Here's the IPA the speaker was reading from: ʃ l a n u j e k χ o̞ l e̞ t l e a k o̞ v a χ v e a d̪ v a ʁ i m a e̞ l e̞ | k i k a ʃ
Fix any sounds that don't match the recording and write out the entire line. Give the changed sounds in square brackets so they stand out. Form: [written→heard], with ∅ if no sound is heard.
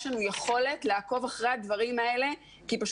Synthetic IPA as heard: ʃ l a n u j e [k→∅] χ o̞ l e̞ t l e a k o̞ v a χ [v→ʁ] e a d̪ v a ʁ i m a e̞ l e̞ | k i [k→p] a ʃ